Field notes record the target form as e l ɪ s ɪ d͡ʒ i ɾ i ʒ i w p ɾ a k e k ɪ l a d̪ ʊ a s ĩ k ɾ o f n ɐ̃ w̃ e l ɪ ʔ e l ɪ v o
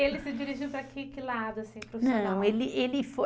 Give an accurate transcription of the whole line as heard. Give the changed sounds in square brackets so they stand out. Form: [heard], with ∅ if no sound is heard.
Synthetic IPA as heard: e l ɪ s ɪ d͡ʒ i ɾ i ʒ i w p ɾ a k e k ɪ l a d̪ ʊ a s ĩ [p] ɾ o f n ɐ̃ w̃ e l ɪ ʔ e l ɪ [f] o